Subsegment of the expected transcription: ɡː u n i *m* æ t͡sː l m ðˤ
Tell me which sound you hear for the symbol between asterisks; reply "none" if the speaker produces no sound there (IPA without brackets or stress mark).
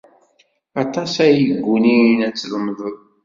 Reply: n